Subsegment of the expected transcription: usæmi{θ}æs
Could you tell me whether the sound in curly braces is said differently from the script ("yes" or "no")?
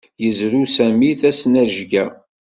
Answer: no